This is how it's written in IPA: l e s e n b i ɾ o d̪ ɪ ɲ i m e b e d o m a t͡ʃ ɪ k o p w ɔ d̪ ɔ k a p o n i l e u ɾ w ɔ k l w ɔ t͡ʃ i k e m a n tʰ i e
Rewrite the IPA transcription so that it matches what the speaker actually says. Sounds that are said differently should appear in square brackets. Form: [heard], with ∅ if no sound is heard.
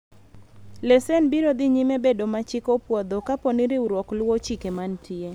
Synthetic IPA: l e s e n b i ɾ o d̪ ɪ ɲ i m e b e d o m a t͡ʃ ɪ k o p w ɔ d̪ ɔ k a p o n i [ɾ] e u ɾ w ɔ k l w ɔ t͡ʃ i k e m a n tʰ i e